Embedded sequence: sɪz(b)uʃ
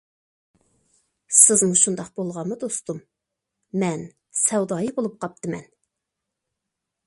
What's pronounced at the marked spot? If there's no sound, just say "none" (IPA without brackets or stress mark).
m